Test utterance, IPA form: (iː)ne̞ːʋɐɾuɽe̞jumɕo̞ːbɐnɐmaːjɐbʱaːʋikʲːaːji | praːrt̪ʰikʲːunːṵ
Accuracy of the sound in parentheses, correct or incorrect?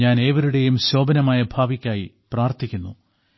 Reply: incorrect: aː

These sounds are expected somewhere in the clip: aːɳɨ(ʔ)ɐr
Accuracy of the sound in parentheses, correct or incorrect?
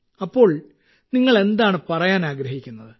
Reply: incorrect: p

